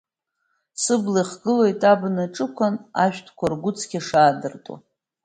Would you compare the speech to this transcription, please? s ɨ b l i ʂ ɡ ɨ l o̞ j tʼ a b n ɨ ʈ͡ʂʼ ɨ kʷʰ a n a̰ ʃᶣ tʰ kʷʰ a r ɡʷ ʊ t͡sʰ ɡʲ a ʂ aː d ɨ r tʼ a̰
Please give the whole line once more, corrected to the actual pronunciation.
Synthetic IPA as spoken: s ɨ b l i χ ɡ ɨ l o̞ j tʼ a b n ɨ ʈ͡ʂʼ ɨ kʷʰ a n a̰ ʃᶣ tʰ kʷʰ a r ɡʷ ʊ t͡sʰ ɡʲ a ʂ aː d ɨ r tʼ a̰

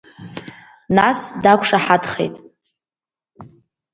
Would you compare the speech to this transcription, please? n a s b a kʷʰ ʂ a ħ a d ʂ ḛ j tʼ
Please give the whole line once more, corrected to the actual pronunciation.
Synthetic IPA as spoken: n a s d a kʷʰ ʂ a ħ a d χ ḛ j tʼ

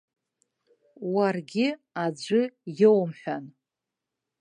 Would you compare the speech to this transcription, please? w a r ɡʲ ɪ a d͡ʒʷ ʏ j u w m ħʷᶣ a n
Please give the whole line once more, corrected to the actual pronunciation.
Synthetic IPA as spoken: w a r ɡʲ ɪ a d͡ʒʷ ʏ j o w m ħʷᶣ a n

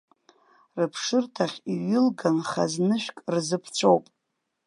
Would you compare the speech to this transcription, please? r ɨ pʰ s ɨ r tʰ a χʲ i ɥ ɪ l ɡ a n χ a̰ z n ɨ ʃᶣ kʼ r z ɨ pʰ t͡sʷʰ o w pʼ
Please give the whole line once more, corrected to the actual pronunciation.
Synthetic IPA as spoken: r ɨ pʰ ʂ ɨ r tʰ a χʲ i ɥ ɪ l ɡ a n χ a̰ z n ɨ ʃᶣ kʼ r z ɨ pʰ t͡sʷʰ o w pʼ

